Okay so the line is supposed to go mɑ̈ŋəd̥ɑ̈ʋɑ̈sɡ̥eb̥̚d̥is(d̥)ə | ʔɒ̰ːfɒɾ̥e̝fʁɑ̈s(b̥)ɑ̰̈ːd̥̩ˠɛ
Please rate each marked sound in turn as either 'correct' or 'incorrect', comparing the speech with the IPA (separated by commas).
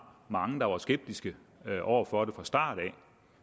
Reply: incorrect, incorrect